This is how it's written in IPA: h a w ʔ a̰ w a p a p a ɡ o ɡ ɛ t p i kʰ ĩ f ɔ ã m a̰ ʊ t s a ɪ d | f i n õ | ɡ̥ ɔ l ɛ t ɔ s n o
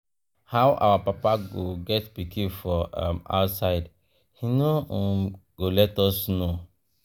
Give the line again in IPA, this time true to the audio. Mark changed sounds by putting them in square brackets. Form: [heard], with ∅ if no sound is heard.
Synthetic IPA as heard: h a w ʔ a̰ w a p a p a ɡ o ɡ ɛ t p i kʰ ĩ f ɔ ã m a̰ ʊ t s a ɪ d | [h] i n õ | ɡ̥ [o] l ɛ t ɔ s n o